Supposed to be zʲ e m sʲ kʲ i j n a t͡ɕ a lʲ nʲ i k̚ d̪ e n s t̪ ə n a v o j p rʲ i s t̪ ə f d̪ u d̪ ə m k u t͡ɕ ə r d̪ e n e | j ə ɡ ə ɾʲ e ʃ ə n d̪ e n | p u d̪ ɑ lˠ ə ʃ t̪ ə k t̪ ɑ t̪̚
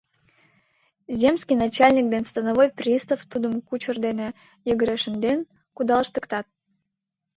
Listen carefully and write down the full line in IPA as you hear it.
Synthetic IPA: zʲ e m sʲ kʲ i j n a t͡ɕ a lʲ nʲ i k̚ d̪ e n s t̪ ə n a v o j p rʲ i s t̪ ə f t̪ u d̪ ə m k u t͡ɕ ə r d̪ e n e | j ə ɡ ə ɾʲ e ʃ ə n d̪ e n | k u d̪ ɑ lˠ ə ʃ t̪ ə k t̪ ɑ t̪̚